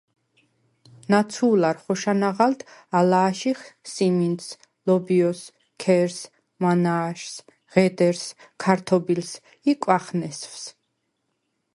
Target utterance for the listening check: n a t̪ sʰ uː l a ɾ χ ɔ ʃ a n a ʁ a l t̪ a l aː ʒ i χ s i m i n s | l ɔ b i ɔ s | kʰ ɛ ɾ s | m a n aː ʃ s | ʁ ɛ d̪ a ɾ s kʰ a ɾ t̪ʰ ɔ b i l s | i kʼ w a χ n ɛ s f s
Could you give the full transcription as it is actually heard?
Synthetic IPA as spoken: n a t̪ sʰ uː l a ɾ χ ɔ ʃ a n a ʁ a l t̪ a l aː ʃ i χ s i m i n s | l ɔ b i ɔ s | kʰ ɛ ɾ s | m a n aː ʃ s | ʁ ɛ d̪ ɛ ɾ s kʰ a ɾ t̪ʰ ɔ b i l s | i kʼ w a χ n ɛ s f s